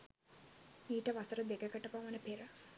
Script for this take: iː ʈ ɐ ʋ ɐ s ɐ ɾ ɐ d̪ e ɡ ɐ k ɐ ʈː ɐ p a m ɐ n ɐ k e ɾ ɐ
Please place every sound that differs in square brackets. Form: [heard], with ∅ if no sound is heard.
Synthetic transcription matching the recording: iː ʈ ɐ ʋ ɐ s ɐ ɾ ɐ d̪ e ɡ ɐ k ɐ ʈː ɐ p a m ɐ n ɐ [p] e ɾ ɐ

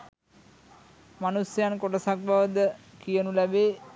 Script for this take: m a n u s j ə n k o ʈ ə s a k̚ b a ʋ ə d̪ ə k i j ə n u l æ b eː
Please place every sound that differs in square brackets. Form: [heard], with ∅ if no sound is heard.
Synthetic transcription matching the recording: m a n u s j [a] n k o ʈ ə s a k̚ b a ʋ ə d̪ ə k i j ə n u l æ b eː

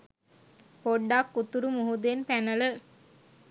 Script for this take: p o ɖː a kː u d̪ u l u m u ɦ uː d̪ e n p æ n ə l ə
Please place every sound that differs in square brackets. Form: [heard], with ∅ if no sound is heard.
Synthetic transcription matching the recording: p o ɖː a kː u [t̪] u [ɾ] u m u ɦ [u] d̪ e n p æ n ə l ə

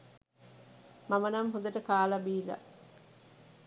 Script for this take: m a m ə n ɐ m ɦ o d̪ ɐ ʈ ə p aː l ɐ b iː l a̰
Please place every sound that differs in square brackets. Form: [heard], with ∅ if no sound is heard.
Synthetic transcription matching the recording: m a m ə n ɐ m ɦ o d̪ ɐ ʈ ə [k] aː l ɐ b iː l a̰

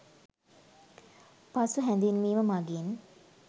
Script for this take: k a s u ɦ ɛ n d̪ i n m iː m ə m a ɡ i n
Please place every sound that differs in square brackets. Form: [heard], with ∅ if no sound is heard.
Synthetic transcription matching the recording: [p] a s u ɦ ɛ n d̪ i n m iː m ə m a ɡ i n

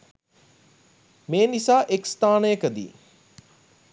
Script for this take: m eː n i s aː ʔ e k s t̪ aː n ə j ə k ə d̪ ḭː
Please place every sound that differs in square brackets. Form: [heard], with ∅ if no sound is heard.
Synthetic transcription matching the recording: m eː n i s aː ʔ e k s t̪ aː n ə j ə k ə d̪ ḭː

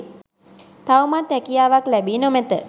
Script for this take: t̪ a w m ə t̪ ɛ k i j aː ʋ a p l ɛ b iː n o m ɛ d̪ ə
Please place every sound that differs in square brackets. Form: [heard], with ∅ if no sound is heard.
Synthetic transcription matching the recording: t̪ a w m [a] t̪ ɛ k i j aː ʋ a [k] l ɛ b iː n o m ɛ [t̪] ə

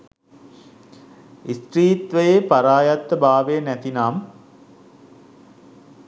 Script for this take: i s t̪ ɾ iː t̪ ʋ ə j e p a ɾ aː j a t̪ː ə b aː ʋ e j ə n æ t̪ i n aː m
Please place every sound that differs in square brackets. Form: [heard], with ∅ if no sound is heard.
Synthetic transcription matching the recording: i s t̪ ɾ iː t̪ ʋ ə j e p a ɾ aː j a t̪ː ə b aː ʋ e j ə n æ t̪ i n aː m

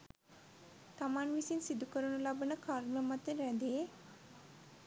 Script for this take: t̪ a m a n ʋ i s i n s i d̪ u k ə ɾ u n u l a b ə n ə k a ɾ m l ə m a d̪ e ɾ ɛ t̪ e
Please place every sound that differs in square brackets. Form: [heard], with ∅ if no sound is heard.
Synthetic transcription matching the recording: t̪ a m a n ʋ i s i n s i d̪ u k ə ɾ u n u l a b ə n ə k a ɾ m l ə m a [t̪] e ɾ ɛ [d̪] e

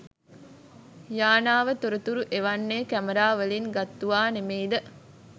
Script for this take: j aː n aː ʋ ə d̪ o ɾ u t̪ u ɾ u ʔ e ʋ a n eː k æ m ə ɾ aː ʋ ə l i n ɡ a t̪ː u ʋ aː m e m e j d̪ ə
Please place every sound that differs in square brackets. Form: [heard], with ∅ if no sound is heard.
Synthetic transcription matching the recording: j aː n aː ʋ ə [t̪] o ɾ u t̪ u ɾ u ʔ e ʋ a [nː] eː k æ m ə ɾ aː ʋ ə l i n ɡ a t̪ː u ʋ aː [n] e m e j d̪ ə

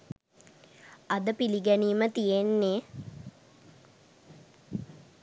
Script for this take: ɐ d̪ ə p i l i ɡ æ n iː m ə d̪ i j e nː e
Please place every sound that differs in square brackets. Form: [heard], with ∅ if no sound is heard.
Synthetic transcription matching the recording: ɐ d̪ ə p i l i ɡ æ n iː m ə [t̪] i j e nː e

